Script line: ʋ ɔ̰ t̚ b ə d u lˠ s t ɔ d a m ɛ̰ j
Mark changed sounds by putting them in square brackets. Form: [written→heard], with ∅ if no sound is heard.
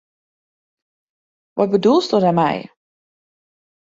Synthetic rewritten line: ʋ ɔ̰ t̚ b ə d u lˠ s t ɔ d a m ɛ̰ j